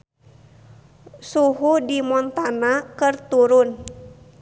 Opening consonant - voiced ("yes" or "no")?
no